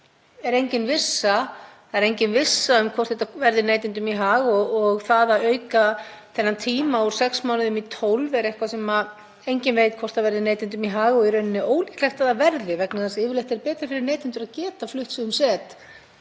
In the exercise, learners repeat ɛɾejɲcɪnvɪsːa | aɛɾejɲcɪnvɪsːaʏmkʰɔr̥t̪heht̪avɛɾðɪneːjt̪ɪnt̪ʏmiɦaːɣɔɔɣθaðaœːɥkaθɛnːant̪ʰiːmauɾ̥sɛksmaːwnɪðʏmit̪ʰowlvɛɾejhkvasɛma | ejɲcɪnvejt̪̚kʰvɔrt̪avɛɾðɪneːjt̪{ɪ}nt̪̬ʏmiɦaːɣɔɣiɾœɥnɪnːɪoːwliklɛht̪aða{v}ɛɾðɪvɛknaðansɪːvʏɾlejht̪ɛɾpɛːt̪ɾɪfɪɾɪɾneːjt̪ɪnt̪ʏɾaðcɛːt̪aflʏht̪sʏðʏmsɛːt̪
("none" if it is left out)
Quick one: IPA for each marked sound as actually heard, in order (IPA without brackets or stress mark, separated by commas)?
ɪ, v